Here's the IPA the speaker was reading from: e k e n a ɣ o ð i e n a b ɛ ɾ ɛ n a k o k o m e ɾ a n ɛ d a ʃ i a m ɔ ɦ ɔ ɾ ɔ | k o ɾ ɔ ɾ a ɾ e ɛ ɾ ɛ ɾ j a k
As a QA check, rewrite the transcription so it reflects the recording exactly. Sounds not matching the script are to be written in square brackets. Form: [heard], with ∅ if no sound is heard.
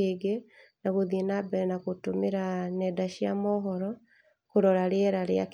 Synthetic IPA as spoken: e [ɡ] e n a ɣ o ð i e n a b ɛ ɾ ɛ n a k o [t] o m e ɾ a n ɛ d a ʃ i a m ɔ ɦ ɔ ɾ ɔ | k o ɾ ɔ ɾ a ɾ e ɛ ɾ [a] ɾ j a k